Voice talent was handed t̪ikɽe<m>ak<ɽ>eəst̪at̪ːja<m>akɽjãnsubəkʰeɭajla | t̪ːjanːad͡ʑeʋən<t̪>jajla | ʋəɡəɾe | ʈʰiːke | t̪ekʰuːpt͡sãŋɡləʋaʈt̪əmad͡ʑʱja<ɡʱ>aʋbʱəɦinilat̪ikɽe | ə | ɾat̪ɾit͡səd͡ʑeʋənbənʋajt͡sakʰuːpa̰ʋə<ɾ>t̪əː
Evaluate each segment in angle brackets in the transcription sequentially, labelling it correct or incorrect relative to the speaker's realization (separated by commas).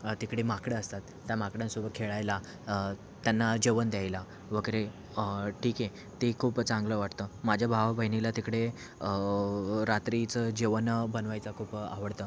correct, correct, correct, incorrect, incorrect, incorrect